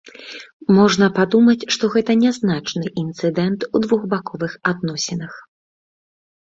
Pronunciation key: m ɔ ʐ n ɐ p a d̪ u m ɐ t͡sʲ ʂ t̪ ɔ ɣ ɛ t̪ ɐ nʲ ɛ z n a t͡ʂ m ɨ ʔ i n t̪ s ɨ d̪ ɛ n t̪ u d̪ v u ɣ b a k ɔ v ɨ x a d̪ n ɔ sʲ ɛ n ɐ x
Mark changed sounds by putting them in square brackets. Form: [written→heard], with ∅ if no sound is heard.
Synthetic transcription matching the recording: m ɔ ʐ n ɐ p a d̪ u m ɐ t͡sʲ ʂ t̪ ɔ ɣ ɛ t̪ ɐ nʲ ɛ z n a t͡ʂ [m→n] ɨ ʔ i n t̪ s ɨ d̪ ɛ n t̪ u d̪ v u ɣ b a k ɔ v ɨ x a d̪ n ɔ sʲ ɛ n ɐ x

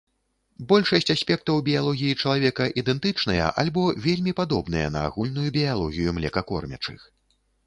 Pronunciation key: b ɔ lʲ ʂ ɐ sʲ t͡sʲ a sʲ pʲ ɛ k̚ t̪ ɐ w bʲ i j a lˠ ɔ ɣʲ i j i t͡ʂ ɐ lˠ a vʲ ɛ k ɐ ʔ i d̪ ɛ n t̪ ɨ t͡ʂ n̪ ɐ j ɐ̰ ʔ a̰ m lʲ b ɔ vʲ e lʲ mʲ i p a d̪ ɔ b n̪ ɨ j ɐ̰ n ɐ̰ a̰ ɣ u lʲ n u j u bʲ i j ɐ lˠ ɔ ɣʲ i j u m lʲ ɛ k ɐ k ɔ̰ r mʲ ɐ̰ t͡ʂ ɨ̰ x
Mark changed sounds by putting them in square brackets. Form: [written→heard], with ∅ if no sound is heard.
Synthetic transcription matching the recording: b ɔ lʲ ʂ ɐ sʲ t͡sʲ a sʲ pʲ ɛ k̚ t̪ ɐ w bʲ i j a lˠ ɔ ɣʲ i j i t͡ʂ ɐ lˠ a vʲ ɛ k ɐ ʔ i d̪ ɛ n t̪ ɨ t͡ʂ n̪ ɐ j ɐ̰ ʔ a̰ [m→∅] lʲ b ɔ vʲ e lʲ mʲ i p a d̪ ɔ b n̪ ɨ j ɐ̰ n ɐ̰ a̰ ɣ u lʲ n u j u bʲ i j [ɐ→a] lˠ ɔ ɣʲ i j u m lʲ ɛ k ɐ k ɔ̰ r mʲ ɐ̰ t͡ʂ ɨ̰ x

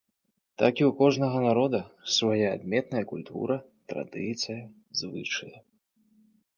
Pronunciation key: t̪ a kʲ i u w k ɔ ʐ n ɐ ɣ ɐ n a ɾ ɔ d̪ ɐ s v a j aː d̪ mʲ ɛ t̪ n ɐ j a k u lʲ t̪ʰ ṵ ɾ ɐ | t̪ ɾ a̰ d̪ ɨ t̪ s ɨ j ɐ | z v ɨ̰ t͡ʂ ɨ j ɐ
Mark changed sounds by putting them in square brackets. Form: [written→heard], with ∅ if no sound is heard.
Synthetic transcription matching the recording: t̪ a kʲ i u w k ɔ ʐ n ɐ ɣ ɐ n a ɾ ɔ d̪ ɐ s v a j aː d̪ mʲ ɛ t̪ n ɐ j [a→ɐ] k u lʲ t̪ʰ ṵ ɾ ɐ | t̪ ɾ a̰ d̪ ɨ t̪ s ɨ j ɐ | z v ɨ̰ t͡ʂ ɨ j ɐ

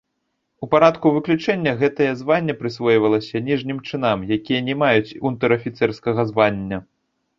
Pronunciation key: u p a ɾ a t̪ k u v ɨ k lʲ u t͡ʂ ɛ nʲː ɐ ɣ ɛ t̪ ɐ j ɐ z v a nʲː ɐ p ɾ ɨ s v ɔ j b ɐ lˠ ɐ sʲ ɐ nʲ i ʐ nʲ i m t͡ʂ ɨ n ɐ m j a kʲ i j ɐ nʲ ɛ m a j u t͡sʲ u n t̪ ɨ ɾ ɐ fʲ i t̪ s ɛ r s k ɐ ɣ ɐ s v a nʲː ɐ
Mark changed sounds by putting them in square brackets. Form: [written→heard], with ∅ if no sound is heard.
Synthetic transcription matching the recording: u p a ɾ a t̪ k u v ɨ k lʲ u t͡ʂ ɛ nʲː ɐ ɣ ɛ t̪ ɐ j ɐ z v a nʲː ɐ p ɾ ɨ s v ɔ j [b→v] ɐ lˠ ɐ sʲ ɐ nʲ i ʐ nʲ i m t͡ʂ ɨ n [ɐ→a] m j a kʲ i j ɐ nʲ ɛ m a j u t͡sʲ u n t̪ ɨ ɾ ɐ fʲ i t̪ s ɛ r s k ɐ ɣ ɐ [s→z] v a nʲː ɐ

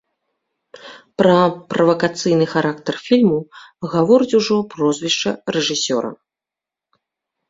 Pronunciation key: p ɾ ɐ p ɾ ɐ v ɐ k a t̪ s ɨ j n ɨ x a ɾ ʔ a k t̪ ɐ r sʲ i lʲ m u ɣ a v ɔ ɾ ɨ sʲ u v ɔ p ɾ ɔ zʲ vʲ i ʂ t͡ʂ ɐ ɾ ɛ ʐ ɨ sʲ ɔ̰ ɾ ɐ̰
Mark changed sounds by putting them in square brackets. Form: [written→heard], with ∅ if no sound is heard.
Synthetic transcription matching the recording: p ɾ ɐ p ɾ ɐ v ɐ k a t̪ s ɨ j n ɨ x a ɾ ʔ a k t̪ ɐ r [sʲ→fʲ] i lʲ m u ɣ a v ɔ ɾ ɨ [sʲ→t͡sʲ] u [v→ʐ] ɔ p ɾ ɔ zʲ vʲ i ʂ t͡ʂ ɐ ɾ ɛ ʐ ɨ sʲ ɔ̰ ɾ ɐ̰

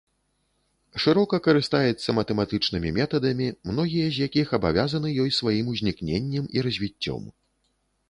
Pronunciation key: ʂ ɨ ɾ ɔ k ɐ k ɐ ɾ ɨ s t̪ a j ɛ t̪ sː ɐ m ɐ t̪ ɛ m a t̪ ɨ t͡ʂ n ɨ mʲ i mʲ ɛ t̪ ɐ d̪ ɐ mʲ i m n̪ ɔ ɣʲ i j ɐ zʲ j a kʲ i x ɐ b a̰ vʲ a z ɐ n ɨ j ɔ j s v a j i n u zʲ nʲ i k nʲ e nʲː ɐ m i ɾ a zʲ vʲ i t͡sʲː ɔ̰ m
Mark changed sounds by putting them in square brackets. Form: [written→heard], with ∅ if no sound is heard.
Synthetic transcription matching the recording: ʂ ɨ ɾ ɔ k ɐ k ɐ ɾ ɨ s t̪ a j ɛ t̪ sː ɐ m ɐ t̪ ɛ m a t̪ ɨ t͡ʂ n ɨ mʲ i mʲ ɛ t̪ ɐ d̪ ɐ mʲ i m n̪ ɔ ɣʲ i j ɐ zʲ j a kʲ i x ɐ b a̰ vʲ a z ɐ n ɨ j ɔ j s v a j i [n→m] u zʲ nʲ i k nʲ e nʲː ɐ m i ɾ [a→ɐ] zʲ vʲ i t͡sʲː ɔ̰ m

